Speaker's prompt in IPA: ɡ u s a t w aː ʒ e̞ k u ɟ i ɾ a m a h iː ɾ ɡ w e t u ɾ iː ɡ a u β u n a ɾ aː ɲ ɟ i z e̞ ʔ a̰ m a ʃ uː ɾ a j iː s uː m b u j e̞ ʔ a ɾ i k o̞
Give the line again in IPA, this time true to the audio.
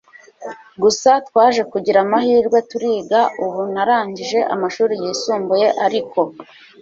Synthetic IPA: ɡ u s a t w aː ʒ e̞ k u ɟ i ɾ a m a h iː ɾ ɡ w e t u ɾ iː ɡ a u β u n a ɾ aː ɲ ɟ i ʒ e̞ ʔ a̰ m a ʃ uː ɾ i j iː s uː m b u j e̞ ʔ a ɾ i k o̞

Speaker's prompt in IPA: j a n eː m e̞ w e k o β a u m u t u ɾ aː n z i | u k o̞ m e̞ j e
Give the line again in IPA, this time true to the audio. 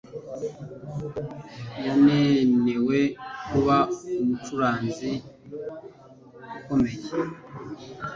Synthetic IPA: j a n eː n e̞ w e k u β a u m u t u ɾ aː n z i | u k o̞ m e̞ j e

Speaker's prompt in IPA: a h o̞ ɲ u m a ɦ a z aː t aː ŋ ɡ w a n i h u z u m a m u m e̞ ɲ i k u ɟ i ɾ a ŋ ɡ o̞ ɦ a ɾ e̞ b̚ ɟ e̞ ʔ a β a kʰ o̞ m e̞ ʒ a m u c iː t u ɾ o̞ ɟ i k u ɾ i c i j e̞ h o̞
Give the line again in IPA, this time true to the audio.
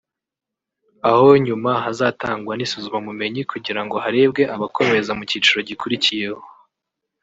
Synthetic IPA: a h o̞ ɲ u m a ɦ a z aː t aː ŋ ɡ w a n i s u z u m a m u m e̞ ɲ i k u ɟ i ɾ a ŋ ɡ o̞ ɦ a ɾ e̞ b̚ ɡ e̞ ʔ a β a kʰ o̞ m e̞ z a m u c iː t͡ʃ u ɾ o̞ ɟ i k u ɾ i c i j e̞ h o̞

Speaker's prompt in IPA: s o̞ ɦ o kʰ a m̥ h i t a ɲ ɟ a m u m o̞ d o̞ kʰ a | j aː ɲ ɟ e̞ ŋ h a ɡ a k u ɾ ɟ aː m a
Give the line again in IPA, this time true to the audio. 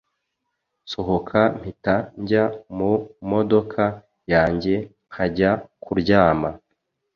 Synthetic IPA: s o̞ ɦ o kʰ a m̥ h i t a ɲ ɟ a m u m o̞ d o̞ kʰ a | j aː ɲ ɟ e̞ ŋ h a ɟ a k u ɾ ɟ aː m a

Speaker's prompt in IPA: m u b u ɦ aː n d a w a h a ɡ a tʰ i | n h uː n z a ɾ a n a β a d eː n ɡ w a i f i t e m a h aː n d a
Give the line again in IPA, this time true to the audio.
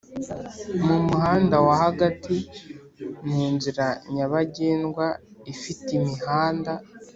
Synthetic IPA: m u m u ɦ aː n d a w a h a ɡ a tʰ i | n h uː n z i ɾ a ɲ a β a ɟ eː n ɡ w a i f i t i m i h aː n d a

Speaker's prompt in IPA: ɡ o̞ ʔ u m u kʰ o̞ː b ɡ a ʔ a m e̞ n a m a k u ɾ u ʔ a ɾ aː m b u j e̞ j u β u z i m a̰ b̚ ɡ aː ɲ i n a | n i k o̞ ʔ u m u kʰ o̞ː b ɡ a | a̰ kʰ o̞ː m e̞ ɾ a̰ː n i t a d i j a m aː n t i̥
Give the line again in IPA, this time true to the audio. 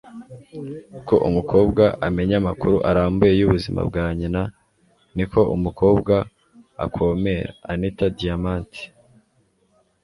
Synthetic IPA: k o̞ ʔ u m u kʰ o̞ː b ɡ a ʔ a m e̞ ɲ a m a k u ɾ u ʔ a ɾ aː m b u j e̞ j u β u z i m a̰ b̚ ɡ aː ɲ i n a | n i k o̞ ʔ u m u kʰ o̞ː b ɡ a | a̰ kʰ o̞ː m e̞ ɾ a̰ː n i t a d i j a m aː n t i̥

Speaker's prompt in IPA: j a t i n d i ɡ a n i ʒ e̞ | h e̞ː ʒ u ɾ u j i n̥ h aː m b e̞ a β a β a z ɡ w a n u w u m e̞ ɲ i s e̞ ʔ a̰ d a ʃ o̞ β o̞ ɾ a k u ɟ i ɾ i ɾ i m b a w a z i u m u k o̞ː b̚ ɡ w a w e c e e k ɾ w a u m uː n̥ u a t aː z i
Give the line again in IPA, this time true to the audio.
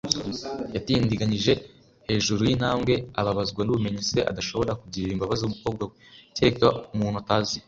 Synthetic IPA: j a t i n d i ɡ a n i ʒ e̞ | h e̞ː ʒ u ɾ u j i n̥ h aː m ɡ e̞ a β a β a z ɡ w a n u β u m e̞ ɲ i s e̞ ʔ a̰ d a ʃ o̞ β o̞ ɾ a k u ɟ i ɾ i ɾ i m b a β a z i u m u k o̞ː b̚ ɡ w a w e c e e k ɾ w a u m uː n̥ u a t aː z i

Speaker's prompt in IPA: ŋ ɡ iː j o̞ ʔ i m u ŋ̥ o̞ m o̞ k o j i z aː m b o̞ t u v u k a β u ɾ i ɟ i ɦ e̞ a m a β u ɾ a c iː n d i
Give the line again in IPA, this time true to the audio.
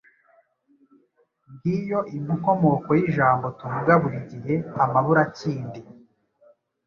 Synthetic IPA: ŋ ɡ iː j o̞ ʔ i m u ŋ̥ o̞ m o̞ k o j i ʒ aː m b o̞ t u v u ɡ a β u ɾ i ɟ i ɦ e̞ a m a β u ɾ a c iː n d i

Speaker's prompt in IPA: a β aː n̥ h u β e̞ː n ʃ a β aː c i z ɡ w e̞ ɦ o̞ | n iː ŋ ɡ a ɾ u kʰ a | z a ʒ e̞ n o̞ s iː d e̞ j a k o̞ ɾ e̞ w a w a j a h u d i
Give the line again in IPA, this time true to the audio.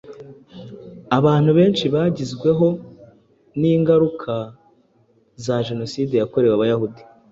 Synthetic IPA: a β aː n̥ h u β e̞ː n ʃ i β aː ɟ i z ɡ w e̞ ɦ o̞ | n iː ŋ ɡ a ɾ u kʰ a | z a ʒ e̞ n o̞ s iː d e̞ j a k o̞ ɾ e̞ w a β a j a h u d i

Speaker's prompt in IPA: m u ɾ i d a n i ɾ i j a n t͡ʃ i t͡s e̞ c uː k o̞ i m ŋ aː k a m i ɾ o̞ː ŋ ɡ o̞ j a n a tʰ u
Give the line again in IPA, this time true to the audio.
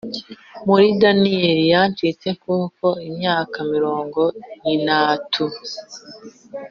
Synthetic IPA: m u ɾ i d a n i ɾ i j a n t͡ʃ i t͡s e̞ k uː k o̞ i m ɲ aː k a m i ɾ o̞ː ŋ ɡ o̞ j i n a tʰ u

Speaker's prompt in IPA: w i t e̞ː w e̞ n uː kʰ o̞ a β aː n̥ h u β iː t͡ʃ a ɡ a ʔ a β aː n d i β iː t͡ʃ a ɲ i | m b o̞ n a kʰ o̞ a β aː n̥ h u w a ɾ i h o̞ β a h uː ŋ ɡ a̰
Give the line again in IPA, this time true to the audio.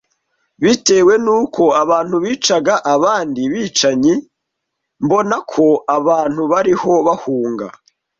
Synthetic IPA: β i t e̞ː w e̞ n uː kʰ o̞ a β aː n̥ h u β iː t͡ʃ a ɡ a ʔ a β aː n d i β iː t͡ʃ a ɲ i | m b o̞ n a kʰ o̞ a β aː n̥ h u β a ɾ i h o̞ β a h uː ŋ ɡ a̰

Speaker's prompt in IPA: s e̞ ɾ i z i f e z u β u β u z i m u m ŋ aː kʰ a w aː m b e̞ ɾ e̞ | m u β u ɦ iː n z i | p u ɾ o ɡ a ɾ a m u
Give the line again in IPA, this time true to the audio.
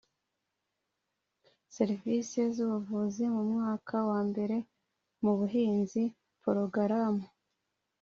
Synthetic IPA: s e̞ ɾ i v i s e z u β u v u z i m u m ŋ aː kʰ a w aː m b e̞ ɾ e̞ | m u β u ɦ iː n z i | p o ɾ o ɡ a ɾ a m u

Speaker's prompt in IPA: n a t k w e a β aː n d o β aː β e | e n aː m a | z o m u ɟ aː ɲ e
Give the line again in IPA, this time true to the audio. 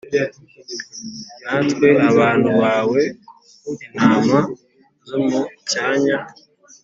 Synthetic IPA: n a t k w e a β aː n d u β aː w e | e n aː m a | z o m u c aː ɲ a

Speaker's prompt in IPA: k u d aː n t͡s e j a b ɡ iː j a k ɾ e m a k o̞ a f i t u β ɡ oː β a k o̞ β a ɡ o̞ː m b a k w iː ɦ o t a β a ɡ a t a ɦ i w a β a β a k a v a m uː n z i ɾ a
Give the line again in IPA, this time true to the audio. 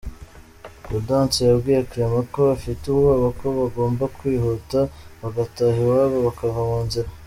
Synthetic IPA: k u d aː n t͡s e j a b ɡ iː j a k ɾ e m a k o̞ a f i t u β ɡ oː β a k o̞ β a ɡ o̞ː m b a k w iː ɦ o t a β a ɡ a t a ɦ i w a β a β a k a v a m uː n z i ɾ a

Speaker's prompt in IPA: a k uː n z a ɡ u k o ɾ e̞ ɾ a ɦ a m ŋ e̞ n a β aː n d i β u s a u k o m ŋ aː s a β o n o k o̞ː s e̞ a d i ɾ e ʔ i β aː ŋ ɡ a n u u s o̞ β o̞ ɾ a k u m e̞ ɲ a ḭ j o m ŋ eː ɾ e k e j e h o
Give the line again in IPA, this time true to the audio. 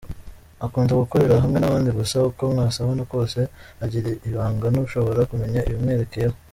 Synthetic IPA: a k uː n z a ɡ u k o ɾ e̞ ɾ a ɦ a m ŋ e̞ n a β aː n d i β u s a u k o m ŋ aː s a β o n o k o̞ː s e̞ a ɟ i ɾ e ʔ i β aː ŋ ɡ a n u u ʃ o̞ β o̞ ɾ a k u m e̞ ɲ a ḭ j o m ŋ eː ɾ e k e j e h o

